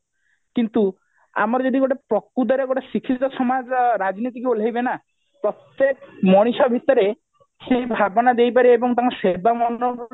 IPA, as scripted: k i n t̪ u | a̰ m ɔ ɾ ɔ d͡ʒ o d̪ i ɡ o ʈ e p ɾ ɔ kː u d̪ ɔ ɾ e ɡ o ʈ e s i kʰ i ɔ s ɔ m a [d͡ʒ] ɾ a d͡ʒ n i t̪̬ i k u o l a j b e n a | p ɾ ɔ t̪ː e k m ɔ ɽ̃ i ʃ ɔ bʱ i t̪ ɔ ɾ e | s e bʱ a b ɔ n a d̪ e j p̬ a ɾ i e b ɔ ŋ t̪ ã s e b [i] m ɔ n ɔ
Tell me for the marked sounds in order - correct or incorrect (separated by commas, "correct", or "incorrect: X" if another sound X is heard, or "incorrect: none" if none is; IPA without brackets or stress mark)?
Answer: correct, incorrect: a